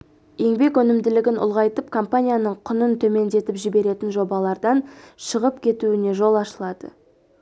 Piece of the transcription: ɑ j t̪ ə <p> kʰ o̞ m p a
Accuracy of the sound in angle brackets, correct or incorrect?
correct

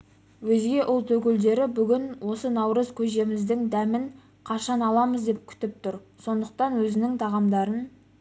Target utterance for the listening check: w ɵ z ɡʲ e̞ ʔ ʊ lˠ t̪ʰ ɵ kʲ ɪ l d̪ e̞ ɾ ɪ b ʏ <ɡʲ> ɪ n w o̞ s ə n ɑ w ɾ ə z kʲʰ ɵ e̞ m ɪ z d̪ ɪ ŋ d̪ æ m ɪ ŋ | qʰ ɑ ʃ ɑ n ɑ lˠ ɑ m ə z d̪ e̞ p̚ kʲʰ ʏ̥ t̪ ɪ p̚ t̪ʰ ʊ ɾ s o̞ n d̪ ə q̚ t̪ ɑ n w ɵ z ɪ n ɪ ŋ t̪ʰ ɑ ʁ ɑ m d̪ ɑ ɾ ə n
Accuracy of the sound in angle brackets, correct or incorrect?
correct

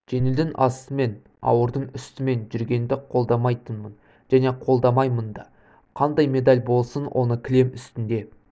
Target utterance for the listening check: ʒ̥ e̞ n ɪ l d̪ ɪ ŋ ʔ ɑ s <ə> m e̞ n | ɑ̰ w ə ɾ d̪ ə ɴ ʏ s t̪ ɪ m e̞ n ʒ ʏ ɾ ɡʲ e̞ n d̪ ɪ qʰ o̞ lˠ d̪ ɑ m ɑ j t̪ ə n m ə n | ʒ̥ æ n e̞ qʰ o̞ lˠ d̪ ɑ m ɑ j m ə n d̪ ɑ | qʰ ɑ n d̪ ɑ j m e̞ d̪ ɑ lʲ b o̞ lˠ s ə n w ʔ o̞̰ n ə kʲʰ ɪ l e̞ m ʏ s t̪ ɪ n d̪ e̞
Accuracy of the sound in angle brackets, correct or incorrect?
correct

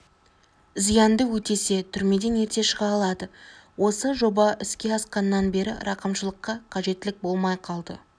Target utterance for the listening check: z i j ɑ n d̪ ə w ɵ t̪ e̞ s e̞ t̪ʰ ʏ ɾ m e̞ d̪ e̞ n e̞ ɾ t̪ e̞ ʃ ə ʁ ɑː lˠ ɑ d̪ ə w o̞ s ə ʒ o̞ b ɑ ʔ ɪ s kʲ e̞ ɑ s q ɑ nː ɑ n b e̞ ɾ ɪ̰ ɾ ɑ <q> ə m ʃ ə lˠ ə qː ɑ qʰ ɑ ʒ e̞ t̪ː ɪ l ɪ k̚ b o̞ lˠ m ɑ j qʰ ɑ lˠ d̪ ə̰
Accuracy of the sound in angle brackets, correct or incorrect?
correct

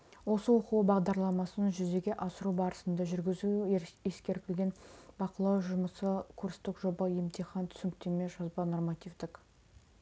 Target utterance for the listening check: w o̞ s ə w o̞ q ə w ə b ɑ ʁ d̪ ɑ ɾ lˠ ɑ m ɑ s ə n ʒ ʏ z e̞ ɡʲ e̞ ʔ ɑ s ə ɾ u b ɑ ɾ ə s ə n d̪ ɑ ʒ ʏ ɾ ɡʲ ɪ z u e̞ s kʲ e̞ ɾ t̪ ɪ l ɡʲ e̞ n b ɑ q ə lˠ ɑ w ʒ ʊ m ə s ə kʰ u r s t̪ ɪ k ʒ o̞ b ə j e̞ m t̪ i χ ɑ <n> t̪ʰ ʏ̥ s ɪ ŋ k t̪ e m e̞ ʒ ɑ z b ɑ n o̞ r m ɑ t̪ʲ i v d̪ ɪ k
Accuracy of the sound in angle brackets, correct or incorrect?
correct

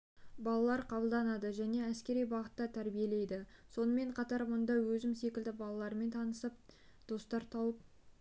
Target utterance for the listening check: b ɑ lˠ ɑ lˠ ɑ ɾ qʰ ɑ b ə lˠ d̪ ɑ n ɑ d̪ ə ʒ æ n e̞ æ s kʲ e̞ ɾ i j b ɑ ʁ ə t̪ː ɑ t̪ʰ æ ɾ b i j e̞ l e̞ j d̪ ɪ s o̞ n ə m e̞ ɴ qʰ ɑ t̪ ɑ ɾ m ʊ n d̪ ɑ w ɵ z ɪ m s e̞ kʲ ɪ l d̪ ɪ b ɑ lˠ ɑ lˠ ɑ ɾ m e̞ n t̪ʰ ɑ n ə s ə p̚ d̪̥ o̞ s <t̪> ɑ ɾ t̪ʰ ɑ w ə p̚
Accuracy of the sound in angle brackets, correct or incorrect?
correct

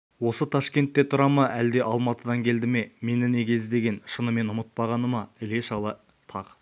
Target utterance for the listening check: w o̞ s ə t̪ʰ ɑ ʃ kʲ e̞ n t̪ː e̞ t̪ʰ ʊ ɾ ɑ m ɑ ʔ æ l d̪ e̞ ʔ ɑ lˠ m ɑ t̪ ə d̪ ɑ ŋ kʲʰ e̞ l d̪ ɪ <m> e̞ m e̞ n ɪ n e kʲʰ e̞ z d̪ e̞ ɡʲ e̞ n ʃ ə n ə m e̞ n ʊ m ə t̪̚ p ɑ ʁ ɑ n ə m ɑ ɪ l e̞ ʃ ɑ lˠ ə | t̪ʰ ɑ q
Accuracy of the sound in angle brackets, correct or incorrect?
correct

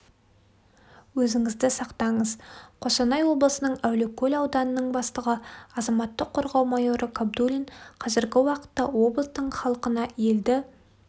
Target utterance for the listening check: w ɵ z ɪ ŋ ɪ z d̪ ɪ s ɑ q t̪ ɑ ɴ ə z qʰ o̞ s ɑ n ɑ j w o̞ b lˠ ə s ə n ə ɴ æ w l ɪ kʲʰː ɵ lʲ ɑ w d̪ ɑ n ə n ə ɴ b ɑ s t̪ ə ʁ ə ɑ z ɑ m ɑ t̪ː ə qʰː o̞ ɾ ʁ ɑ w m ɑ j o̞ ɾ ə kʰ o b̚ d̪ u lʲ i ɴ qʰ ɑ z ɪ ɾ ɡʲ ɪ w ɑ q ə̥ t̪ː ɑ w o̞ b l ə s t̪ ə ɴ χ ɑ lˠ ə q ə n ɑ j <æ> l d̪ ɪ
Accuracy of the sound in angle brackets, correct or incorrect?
incorrect: e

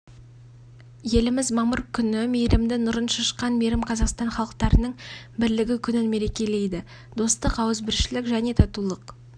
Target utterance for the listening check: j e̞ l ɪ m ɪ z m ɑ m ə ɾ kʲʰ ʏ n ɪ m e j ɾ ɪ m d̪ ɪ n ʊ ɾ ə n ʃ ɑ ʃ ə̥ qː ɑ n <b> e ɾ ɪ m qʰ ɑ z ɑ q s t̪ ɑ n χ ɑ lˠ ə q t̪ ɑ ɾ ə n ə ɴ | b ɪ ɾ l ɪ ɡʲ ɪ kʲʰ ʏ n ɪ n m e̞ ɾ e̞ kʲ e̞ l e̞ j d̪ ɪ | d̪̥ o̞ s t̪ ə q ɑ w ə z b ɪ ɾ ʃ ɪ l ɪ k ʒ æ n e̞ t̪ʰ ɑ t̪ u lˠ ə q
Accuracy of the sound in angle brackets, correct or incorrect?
incorrect: m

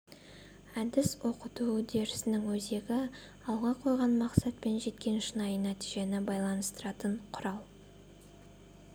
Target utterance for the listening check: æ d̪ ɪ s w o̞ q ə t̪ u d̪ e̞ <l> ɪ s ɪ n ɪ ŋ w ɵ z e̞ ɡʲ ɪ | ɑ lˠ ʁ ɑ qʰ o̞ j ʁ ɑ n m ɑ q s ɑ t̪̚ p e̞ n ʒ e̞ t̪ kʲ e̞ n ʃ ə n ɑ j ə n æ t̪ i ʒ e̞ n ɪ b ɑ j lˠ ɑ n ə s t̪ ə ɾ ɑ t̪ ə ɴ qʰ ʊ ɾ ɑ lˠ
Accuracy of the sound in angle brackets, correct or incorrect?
incorrect: ɾ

